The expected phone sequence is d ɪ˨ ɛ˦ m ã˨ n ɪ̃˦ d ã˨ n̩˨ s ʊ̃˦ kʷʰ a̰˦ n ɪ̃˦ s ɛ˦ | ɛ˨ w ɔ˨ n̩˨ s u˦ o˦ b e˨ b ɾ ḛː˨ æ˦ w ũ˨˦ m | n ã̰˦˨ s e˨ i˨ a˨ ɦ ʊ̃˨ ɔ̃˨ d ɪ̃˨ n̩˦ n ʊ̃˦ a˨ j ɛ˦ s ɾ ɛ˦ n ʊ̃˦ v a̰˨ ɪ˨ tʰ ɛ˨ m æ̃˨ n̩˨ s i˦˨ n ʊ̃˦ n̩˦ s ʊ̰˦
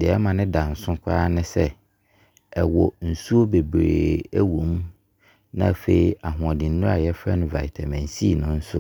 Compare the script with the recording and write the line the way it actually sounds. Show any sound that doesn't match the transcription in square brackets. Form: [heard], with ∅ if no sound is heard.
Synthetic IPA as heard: d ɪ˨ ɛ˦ m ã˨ n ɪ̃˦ d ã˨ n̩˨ s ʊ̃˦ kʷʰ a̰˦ n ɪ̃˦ s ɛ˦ | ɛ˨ w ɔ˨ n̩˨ s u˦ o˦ b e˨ b ɾ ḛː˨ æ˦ w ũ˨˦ m | n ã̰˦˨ [f] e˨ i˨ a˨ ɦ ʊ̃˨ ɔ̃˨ d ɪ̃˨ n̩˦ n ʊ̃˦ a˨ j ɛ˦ [f] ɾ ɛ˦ n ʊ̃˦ v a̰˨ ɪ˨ tʰ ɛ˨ m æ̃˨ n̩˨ s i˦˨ n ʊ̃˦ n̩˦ s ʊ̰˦